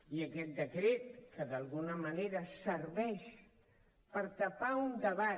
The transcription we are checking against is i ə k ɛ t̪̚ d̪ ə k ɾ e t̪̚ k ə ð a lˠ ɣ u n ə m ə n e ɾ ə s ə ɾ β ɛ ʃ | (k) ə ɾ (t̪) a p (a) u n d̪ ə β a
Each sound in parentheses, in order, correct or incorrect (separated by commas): incorrect, correct, correct